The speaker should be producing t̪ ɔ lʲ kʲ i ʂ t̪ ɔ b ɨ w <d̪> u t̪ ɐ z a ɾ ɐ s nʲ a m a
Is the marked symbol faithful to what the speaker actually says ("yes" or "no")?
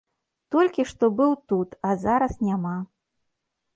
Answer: no